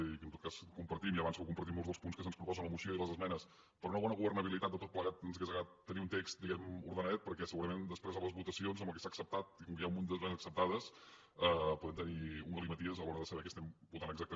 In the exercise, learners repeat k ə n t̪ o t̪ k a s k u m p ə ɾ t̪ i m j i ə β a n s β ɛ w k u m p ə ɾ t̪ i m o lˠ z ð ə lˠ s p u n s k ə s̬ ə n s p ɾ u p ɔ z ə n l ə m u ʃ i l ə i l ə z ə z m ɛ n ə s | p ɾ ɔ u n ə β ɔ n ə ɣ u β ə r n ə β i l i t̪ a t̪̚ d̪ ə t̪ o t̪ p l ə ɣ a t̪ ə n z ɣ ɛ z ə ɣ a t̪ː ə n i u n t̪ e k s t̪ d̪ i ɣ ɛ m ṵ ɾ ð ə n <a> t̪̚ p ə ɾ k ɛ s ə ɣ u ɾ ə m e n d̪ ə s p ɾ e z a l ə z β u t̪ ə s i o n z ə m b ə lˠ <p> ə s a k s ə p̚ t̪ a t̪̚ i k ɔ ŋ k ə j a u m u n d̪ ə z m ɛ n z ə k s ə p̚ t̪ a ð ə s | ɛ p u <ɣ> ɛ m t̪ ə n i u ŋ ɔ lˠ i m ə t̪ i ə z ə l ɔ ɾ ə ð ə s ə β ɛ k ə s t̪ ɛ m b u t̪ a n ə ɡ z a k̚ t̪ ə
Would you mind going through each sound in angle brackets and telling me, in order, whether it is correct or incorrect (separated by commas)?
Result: incorrect, incorrect, incorrect